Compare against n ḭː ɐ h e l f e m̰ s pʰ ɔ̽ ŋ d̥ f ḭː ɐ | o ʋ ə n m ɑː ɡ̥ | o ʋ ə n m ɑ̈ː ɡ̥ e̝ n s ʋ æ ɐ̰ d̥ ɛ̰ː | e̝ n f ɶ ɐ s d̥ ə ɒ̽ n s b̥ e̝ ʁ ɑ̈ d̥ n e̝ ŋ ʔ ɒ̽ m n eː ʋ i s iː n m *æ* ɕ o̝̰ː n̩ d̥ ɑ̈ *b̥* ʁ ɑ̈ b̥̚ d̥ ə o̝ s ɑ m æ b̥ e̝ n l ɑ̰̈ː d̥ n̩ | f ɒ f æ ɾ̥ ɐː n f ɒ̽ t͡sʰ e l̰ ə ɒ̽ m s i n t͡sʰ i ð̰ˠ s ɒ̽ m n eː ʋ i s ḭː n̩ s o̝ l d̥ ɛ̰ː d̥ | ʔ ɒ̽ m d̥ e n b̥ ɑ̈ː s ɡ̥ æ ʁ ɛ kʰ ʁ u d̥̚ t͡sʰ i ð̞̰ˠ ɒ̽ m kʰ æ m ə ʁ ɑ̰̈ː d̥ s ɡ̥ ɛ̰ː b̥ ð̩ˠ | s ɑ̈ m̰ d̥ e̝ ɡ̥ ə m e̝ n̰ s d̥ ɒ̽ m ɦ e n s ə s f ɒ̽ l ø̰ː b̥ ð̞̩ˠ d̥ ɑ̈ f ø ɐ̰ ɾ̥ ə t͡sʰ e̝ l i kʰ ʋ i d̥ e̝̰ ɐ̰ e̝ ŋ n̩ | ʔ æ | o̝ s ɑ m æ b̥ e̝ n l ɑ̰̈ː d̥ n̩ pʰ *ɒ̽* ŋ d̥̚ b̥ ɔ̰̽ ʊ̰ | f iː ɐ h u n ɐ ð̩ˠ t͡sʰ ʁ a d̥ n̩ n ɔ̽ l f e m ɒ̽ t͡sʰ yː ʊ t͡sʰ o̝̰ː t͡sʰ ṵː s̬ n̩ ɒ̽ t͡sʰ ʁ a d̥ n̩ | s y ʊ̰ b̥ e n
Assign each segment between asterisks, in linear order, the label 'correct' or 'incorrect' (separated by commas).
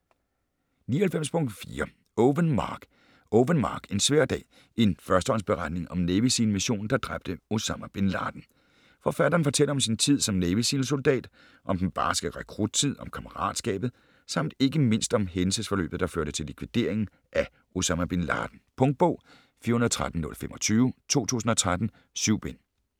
incorrect, incorrect, incorrect